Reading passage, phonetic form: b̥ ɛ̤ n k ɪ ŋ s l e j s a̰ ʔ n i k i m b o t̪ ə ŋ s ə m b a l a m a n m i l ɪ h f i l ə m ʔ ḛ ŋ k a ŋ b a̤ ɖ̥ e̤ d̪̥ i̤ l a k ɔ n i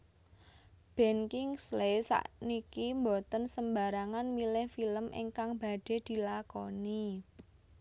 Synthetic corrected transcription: b̥ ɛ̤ n k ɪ ŋ s l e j s a̰ ʔ n i k i m b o t̪ ə n s ə m b a ɾ a ŋ a n m i l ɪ h f i l ə m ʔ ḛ ŋ k a ŋ b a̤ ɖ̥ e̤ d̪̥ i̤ l a k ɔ n i

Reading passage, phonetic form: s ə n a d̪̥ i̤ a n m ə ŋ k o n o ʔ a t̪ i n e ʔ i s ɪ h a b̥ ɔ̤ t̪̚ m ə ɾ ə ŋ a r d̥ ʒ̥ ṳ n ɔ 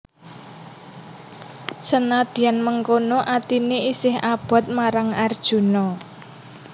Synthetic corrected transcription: s ə n a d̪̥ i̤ a n m ə ŋ k o n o ʔ a t̪ i n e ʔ i s ɪ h a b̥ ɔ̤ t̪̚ m a ɾ a ŋ a r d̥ ʒ̥ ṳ n ɔ

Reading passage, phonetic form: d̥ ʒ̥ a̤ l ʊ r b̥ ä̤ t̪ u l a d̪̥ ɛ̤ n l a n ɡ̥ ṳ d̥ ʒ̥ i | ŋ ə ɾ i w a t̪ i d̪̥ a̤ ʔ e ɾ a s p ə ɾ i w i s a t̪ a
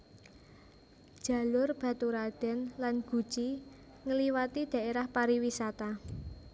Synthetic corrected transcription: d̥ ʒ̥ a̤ l ʊ r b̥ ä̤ t̪ u ɾ a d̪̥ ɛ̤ n l a n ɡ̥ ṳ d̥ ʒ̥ i | ŋ ə l i w a t̪ i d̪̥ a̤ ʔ e ɾ a h p a ɾ i w i s a t̪ a

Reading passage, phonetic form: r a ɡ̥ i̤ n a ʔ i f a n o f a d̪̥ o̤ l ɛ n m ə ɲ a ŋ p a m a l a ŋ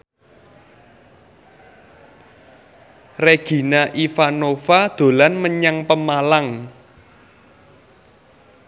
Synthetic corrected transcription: r e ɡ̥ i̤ n a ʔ i f a n o f a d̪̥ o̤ l a n m ə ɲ a ŋ p ə m a l a ŋ

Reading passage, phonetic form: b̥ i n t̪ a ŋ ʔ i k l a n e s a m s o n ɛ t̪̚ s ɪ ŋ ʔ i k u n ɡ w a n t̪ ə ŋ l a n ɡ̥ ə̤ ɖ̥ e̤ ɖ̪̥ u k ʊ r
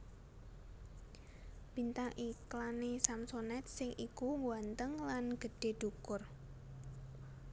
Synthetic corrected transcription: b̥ i n t̪ a ŋ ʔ i k l a n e s a m s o n ɛ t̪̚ s ɪ ŋ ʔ i k u ŋ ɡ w a n t̪ ə ŋ l a n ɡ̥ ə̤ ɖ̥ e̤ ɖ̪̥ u k ʊ r

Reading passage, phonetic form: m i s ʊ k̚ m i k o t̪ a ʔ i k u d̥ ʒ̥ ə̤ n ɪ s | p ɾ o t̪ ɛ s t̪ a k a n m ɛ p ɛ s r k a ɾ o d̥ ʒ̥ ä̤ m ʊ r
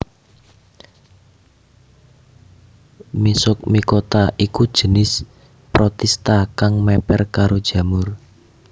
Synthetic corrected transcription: m i s ʊ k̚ m i k o t̪ a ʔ i k u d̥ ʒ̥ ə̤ n ɪ s | p ɾ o t̪ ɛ s t̪ a k a ŋ m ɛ p ɛ r k a ɾ o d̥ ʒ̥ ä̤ m ʊ r

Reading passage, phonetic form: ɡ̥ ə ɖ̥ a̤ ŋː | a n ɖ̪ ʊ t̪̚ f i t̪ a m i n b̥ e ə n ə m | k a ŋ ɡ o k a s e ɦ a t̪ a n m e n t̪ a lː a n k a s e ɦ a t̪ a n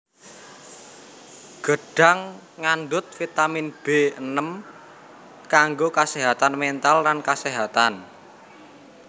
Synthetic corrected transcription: ɡ̥ ə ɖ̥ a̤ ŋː | a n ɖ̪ ʊ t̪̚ f i t̪ a m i n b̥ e ə n ə m | k a ŋ ɡ o k a s e ɦ a t̪ a n m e n t̪ a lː a n k a s e ɦ a t̪ a n

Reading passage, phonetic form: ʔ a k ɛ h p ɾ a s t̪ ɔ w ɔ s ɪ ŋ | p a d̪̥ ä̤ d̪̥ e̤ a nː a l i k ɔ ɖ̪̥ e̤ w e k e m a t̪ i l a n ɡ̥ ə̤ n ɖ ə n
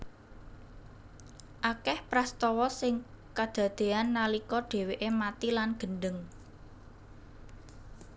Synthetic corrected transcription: ʔ a k ɛ h p ɾ a s t̪ ɔ w ɔ s ɪ ŋ | k a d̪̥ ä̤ d̪̥ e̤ a nː a l i k ɔ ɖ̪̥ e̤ w e ʔ e m a t̪ i l a n ɡ̥ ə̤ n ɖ ə ŋ

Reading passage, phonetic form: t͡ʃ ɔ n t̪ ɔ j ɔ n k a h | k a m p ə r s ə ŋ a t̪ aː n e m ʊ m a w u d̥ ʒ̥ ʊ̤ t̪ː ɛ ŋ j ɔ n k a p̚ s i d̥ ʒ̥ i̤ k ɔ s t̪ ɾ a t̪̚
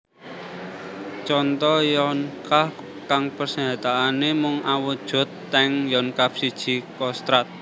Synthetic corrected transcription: t͡ʃ ɔ n t̪ ɔ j ɔ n k a h | k a ŋ p ə r s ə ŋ a t̪ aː n e m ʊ ŋ a w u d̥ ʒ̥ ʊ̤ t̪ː ɛ ŋ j ɔ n k a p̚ s i d̥ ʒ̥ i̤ k ɔ s t̪ ɾ a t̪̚

